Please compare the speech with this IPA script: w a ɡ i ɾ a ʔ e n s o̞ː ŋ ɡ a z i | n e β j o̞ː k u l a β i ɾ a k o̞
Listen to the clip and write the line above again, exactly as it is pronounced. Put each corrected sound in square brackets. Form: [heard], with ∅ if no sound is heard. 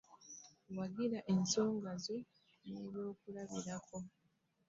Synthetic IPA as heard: w a ɡ i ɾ a ʔ e n s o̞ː ŋ ɡ a z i | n e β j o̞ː k u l a β i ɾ a k o̞